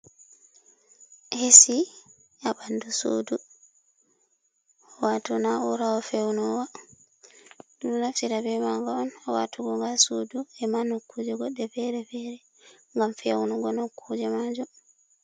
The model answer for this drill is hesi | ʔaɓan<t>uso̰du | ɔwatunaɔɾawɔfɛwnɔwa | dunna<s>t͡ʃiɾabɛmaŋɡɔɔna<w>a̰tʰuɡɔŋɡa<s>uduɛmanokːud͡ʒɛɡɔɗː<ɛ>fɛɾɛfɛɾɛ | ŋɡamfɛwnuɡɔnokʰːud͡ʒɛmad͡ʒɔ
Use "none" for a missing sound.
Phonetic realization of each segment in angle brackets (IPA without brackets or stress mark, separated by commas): d, f, w, s, ɛ